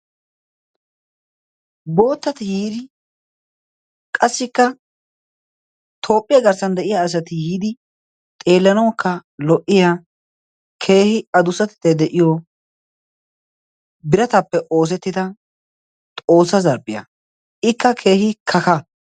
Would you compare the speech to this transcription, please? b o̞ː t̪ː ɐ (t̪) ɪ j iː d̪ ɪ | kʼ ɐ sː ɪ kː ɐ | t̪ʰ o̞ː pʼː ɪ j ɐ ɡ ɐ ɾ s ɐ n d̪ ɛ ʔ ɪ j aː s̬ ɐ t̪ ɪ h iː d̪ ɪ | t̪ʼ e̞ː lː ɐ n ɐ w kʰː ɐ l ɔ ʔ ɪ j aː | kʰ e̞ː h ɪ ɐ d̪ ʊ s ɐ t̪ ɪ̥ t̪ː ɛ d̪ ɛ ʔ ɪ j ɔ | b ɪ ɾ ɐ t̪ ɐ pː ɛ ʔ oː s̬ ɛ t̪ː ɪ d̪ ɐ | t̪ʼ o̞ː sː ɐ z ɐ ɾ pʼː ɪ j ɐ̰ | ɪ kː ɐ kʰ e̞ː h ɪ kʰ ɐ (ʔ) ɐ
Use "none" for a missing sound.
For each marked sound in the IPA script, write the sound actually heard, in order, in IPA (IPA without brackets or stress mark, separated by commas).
t̪, k